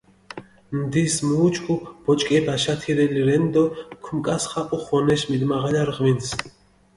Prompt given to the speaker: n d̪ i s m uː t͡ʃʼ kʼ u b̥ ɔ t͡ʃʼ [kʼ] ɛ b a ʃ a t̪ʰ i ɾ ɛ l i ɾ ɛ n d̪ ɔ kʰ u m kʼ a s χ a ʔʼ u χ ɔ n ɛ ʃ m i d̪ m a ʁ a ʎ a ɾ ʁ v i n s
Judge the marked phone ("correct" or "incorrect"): correct